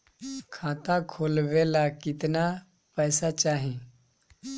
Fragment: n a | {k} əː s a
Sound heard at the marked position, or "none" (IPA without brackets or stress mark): p